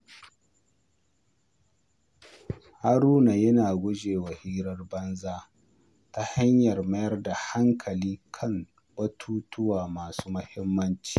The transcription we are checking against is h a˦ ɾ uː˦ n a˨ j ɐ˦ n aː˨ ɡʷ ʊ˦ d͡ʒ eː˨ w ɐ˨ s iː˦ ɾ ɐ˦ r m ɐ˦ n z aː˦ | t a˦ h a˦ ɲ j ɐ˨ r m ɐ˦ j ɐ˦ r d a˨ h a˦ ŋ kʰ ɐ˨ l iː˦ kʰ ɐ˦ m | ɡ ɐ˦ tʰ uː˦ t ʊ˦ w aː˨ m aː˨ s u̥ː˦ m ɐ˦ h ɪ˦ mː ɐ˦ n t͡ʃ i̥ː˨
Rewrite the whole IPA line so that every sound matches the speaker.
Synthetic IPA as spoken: h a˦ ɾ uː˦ n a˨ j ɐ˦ n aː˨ ɡʷ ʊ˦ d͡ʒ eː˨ w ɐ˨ h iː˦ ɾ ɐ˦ r b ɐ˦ n z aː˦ | t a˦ h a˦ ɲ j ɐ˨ r m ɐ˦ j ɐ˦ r d a˨ h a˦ ŋ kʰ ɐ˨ l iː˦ kʰ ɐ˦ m | b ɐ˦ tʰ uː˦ t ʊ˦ w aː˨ m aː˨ s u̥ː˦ m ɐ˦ h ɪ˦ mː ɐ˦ n t͡ʃ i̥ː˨